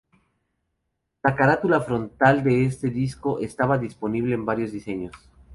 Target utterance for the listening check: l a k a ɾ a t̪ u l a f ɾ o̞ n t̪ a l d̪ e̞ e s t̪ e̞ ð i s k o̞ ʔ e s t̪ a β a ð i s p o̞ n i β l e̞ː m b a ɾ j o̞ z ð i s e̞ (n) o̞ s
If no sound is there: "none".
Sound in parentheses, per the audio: ɲ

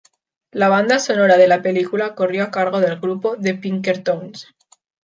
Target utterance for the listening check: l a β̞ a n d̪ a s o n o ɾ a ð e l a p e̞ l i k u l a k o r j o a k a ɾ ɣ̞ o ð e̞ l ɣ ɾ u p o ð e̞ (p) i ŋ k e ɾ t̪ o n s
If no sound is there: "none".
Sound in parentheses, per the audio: p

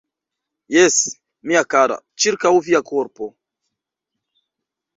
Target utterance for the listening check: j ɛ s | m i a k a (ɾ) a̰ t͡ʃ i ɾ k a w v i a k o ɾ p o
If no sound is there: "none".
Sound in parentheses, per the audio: ɾ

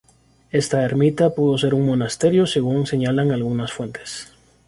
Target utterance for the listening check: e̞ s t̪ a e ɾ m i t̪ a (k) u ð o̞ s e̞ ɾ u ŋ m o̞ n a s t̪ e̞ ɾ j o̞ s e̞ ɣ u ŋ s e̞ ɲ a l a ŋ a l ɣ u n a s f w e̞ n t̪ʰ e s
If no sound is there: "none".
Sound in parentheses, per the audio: p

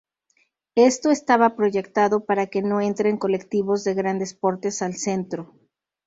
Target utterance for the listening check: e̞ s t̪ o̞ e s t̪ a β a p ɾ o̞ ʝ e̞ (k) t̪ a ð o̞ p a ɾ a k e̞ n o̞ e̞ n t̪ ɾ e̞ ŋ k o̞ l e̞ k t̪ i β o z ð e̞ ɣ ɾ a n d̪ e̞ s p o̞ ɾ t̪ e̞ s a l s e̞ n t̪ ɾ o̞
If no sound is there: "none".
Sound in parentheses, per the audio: k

